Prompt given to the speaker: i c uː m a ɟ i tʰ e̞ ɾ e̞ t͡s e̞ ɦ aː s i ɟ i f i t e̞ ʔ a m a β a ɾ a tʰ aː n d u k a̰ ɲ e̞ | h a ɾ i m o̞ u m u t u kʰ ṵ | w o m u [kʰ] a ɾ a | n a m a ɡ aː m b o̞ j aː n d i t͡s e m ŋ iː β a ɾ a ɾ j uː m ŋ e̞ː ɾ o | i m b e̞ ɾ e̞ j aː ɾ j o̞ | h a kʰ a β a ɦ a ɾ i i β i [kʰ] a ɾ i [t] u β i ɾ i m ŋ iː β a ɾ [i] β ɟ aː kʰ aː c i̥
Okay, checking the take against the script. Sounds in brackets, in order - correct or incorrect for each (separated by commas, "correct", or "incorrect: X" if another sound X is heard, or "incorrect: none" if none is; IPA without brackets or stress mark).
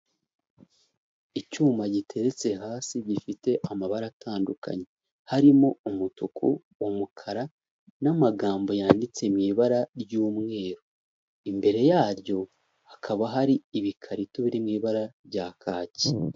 correct, correct, correct, incorrect: a